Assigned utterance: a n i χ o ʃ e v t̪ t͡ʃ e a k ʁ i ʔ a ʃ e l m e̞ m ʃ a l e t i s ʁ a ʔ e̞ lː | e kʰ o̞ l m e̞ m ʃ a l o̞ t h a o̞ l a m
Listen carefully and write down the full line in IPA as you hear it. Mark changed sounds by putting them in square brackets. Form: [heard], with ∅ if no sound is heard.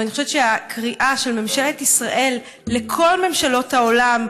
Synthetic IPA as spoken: a n i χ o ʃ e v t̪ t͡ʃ e a k ʁ i ʔ a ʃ e l m e̞ m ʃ [e] l e t i s ʁ a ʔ e̞ lː | e kʰ o̞ l m e̞ m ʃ a l o̞ t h a o̞ l a m